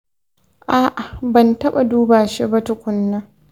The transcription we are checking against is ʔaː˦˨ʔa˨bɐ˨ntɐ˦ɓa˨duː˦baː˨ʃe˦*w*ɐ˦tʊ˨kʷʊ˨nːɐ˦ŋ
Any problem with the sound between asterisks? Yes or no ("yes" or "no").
yes